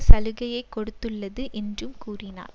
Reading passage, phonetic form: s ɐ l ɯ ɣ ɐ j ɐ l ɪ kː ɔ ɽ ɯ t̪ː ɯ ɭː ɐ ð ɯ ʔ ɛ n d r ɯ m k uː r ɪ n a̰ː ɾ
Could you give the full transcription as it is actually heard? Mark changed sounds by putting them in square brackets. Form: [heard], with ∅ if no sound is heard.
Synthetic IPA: s ɐ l ɯ ɣ ɐ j ɐ [∅] ɪ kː ɔ ɽ ɯ t̪ː ɯ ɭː ɐ ð ɯ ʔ ɛ n d r ɯ m k uː r ɪ n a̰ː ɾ